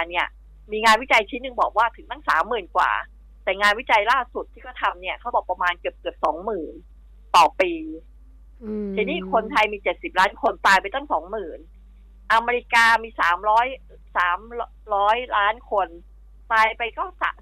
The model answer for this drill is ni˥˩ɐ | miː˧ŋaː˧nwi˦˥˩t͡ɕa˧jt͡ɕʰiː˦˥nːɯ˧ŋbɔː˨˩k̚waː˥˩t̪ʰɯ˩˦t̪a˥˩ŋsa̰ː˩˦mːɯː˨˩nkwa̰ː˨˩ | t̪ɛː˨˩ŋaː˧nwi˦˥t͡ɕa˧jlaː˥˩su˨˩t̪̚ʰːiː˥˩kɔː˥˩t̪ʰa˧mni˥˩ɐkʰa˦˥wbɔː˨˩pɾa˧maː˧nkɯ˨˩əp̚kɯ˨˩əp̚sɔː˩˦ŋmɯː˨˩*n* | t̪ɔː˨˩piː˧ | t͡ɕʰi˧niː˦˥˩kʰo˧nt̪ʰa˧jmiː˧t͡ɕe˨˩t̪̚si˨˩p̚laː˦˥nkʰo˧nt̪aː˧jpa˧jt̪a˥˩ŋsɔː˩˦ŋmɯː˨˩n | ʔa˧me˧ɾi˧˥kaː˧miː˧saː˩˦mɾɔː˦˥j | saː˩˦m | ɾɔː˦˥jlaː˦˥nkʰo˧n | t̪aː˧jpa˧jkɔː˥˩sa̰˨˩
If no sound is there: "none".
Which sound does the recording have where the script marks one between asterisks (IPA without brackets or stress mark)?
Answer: n